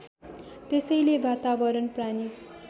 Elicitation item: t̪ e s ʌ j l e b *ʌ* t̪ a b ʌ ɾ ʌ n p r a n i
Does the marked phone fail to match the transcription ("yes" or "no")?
yes